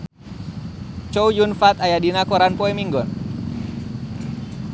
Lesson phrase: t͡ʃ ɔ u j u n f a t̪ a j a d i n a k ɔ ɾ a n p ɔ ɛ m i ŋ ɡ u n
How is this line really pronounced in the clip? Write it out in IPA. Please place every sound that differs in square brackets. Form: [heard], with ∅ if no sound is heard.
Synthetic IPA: t͡ʃ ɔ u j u n f a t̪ a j a d i n a k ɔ ɾ a n p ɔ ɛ m i ŋ ɡ [ɔ] n